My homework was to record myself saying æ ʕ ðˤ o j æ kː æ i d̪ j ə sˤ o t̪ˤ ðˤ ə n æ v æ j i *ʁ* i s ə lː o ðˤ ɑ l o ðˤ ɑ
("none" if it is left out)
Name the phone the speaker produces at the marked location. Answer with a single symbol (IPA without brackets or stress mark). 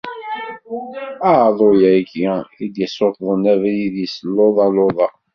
ð